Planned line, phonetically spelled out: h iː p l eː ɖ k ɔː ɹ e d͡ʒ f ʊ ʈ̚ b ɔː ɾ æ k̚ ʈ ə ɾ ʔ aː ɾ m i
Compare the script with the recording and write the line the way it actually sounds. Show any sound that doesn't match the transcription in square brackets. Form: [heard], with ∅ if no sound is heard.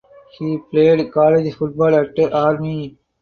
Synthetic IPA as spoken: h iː p l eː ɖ k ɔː [l] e d͡ʒ f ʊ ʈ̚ b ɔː [l] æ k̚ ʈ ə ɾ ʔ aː ɾ m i